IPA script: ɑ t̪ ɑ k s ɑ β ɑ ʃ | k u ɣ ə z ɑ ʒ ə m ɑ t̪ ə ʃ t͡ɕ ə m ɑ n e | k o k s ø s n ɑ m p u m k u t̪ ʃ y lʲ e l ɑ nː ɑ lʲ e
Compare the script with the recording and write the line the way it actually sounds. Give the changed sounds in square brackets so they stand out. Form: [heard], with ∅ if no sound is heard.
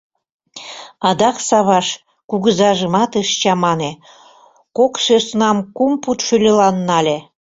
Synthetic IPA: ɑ [d̪] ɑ k s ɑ β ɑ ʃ | k u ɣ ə z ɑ ʒ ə m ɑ t̪ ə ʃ t͡ɕ [ɑ] m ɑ n e | k o k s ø s n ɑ m [k] u m [p] u t̪ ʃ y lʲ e l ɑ nː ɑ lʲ e